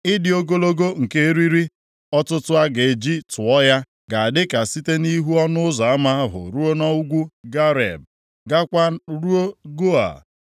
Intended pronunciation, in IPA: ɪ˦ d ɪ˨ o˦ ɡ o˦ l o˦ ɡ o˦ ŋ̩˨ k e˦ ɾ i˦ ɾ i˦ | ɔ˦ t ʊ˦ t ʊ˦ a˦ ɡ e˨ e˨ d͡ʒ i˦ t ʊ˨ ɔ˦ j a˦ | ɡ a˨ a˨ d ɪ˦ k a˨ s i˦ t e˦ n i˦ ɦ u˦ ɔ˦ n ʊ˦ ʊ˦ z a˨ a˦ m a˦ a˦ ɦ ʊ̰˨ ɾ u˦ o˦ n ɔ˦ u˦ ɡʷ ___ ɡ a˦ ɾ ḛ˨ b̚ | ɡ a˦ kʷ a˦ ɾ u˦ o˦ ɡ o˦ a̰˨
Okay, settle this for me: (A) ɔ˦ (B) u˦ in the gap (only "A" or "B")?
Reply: B